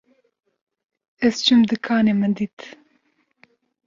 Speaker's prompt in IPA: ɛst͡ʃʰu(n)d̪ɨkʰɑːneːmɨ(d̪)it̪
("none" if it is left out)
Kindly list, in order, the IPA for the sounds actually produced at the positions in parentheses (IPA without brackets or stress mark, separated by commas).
m, d̪